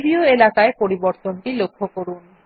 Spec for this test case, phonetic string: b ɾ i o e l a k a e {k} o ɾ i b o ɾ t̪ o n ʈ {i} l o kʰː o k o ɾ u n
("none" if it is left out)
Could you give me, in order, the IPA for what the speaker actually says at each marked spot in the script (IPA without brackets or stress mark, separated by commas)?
p, i